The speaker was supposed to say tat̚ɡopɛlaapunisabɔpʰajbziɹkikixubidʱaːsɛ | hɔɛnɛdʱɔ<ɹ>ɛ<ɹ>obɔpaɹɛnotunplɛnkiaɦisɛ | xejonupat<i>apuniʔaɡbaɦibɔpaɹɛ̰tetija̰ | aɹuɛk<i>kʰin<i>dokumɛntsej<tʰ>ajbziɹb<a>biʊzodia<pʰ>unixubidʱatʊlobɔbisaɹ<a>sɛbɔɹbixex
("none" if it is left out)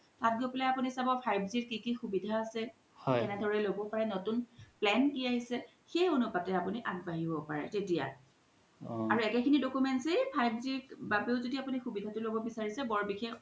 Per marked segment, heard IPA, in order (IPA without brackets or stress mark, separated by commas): ɹ, l, ɛ, ɛ, i, pʰ, a, p, i